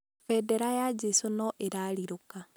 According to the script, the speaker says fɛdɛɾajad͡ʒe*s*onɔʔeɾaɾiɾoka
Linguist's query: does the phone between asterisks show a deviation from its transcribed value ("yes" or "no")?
no